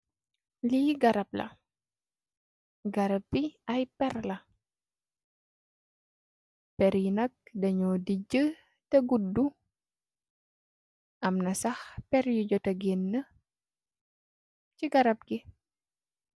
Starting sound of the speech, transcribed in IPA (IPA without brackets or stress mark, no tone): l